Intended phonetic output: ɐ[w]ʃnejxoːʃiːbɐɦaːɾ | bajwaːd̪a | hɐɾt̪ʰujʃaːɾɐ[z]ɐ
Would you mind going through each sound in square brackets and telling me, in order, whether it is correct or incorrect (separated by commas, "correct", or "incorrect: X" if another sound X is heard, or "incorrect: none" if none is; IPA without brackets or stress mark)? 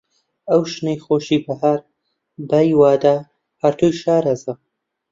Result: correct, correct